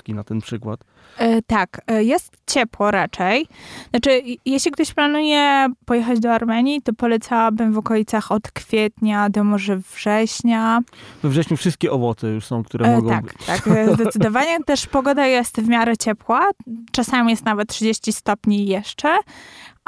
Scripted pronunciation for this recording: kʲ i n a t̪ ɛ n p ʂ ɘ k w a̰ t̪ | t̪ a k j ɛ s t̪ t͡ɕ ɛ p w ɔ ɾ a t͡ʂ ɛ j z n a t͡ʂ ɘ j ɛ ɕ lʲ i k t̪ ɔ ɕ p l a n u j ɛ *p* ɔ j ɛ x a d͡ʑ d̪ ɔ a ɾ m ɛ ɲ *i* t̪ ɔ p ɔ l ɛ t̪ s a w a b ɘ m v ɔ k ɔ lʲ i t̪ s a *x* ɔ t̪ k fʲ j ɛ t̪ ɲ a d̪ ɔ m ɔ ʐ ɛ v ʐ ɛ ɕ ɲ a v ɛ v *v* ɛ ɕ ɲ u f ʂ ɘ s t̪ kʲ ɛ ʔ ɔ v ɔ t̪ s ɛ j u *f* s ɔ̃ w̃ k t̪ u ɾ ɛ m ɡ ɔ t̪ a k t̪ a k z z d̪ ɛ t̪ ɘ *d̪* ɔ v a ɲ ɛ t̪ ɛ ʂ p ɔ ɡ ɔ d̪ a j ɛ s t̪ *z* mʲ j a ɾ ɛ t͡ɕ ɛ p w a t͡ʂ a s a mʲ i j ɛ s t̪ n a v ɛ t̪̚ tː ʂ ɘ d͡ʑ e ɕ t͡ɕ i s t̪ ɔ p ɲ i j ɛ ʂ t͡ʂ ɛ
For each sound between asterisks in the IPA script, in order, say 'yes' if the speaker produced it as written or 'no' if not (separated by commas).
yes, yes, yes, no, no, yes, no